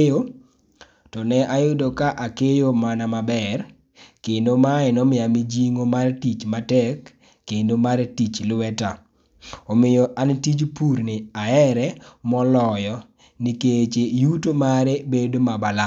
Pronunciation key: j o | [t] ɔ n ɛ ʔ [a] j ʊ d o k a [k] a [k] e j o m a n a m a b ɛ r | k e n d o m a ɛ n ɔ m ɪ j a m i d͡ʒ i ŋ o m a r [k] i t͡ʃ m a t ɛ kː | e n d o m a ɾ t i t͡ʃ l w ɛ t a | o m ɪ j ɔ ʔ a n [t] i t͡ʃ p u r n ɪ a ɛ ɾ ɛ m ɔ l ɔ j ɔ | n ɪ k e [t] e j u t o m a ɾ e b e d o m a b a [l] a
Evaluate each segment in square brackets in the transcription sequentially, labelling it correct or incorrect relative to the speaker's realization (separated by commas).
correct, correct, incorrect, correct, incorrect, correct, incorrect, correct